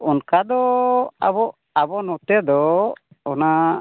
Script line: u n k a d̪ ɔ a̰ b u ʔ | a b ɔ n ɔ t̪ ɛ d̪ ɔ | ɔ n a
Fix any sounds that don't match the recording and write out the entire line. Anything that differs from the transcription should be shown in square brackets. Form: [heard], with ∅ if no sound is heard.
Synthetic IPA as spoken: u n k a d̪ ɔ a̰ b [ɔ] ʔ | a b ɔ n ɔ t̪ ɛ d̪ ɔ | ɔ n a